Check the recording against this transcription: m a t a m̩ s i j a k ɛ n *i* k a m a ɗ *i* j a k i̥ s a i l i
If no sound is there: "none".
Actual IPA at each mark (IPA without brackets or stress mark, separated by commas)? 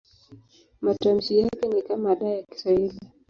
i, a